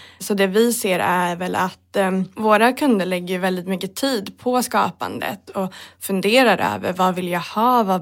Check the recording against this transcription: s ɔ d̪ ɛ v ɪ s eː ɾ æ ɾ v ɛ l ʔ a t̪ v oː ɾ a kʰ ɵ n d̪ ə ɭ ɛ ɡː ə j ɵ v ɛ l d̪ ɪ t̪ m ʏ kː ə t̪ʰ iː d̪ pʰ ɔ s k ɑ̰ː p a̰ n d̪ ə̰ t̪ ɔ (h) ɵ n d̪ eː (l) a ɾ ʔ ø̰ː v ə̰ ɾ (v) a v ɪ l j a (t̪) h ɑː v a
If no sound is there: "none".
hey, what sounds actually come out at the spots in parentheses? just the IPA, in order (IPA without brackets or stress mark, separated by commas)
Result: f, ɾ, v, none